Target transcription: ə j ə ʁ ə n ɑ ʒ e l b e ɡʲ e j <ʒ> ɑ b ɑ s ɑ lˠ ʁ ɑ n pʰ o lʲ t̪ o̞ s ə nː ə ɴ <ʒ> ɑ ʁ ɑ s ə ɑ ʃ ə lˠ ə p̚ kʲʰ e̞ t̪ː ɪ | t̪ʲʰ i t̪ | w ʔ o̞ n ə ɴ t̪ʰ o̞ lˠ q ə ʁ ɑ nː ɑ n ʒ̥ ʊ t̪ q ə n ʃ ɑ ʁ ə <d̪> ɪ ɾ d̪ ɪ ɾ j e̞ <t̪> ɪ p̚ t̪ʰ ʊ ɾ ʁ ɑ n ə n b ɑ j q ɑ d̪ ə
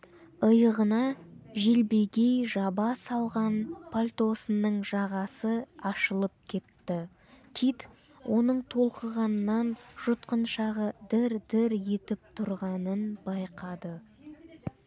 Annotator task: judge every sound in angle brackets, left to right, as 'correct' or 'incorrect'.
correct, correct, correct, correct

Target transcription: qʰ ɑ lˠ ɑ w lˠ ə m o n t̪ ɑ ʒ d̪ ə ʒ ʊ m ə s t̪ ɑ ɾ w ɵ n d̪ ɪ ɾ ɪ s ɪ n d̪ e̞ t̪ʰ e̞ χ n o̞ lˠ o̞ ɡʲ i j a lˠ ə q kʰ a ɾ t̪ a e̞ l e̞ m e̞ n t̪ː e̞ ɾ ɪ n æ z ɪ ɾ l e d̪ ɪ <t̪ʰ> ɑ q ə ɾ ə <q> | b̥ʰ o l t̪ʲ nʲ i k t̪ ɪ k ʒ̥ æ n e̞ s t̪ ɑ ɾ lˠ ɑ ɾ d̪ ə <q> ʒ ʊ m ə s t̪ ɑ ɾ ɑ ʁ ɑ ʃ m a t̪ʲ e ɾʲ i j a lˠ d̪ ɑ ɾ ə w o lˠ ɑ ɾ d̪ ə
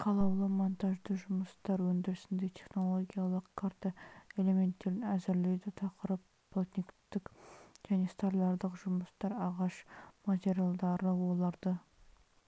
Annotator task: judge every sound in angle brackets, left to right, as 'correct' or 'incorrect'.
correct, incorrect: p, correct

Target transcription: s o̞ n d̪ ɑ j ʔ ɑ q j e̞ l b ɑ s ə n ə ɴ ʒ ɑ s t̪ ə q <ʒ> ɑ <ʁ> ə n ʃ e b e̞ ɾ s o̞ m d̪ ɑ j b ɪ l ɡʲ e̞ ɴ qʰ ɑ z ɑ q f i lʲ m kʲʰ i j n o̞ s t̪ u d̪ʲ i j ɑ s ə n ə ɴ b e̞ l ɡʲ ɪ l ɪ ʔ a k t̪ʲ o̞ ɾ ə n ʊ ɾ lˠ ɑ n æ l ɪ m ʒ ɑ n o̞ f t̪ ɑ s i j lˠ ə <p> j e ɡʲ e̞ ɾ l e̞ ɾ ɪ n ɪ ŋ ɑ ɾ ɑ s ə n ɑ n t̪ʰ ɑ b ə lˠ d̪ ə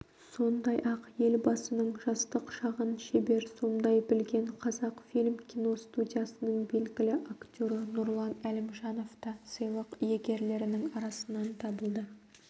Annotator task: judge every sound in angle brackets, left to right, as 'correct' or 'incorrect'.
incorrect: ʃ, correct, incorrect: q

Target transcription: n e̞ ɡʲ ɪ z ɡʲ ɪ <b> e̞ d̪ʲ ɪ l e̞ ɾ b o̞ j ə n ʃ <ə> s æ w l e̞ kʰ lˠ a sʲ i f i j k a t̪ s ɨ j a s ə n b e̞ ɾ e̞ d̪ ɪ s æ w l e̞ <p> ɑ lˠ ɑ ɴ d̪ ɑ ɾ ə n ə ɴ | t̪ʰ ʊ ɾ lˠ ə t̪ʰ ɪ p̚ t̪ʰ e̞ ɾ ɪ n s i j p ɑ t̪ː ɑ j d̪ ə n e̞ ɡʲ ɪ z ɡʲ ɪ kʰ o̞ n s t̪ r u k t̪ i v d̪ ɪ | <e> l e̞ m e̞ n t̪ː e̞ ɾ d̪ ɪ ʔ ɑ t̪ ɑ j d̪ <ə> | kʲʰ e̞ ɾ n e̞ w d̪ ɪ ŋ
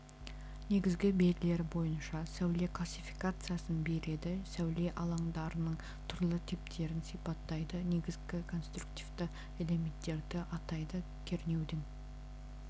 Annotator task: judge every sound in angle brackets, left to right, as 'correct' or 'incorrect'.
correct, incorrect: ɑ, incorrect: ʔ, correct, correct

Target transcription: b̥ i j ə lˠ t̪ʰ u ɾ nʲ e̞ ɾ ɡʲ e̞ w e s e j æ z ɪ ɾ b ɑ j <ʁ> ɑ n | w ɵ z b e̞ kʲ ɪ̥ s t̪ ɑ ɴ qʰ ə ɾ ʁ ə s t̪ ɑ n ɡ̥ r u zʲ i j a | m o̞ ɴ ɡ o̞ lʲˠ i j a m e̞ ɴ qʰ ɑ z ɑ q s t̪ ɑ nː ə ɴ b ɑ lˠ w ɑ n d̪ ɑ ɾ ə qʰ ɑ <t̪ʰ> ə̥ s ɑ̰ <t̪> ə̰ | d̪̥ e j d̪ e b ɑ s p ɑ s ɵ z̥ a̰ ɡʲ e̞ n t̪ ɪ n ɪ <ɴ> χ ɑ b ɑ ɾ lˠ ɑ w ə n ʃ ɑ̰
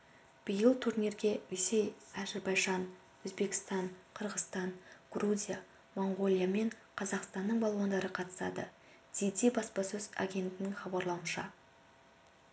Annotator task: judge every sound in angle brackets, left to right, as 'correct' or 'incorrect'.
incorrect: ʒ, incorrect: t̪, incorrect: d̪, incorrect: ŋ

